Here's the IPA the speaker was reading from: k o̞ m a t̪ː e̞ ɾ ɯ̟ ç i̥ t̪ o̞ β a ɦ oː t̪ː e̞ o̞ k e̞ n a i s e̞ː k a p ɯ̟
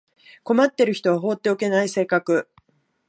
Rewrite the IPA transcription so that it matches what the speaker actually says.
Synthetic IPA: k o̞ m a t̪ː e̞ ɾ ɯ̟ ç i̥ t̪ o̞ β a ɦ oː t̪ː e̞ o̞ k e̞ n a i s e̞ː k a k ɯ̟